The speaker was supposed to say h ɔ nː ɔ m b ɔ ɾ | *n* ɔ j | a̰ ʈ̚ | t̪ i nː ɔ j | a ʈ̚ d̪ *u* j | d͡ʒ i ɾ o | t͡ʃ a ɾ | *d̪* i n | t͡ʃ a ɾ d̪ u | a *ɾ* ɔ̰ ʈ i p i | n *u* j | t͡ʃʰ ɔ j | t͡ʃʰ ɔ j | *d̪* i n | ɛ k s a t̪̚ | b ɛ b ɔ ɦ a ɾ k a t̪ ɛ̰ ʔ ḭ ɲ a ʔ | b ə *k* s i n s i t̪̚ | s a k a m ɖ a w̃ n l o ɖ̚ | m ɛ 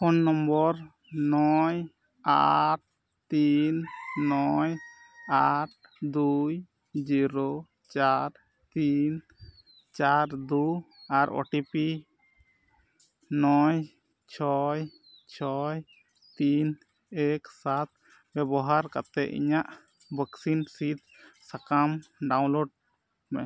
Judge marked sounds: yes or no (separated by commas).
yes, yes, no, yes, no, no, yes